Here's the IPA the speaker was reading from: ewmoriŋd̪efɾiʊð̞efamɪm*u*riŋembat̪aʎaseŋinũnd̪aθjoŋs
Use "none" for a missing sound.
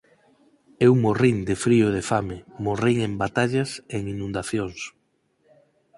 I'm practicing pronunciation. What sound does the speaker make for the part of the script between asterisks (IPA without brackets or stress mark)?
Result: o